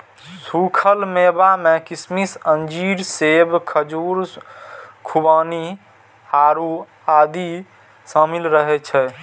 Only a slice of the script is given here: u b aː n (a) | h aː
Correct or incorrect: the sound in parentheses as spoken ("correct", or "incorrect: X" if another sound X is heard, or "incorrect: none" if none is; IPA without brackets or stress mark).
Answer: incorrect: i